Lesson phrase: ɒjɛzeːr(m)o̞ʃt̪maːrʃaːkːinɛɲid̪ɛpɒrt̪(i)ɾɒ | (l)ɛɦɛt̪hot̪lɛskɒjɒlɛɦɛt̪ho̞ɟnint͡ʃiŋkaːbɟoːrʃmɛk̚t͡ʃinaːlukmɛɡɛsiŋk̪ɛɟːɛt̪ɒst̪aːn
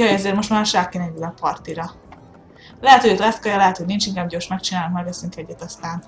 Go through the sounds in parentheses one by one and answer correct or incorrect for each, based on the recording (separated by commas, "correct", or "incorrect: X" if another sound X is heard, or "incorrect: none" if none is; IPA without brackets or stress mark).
correct, correct, correct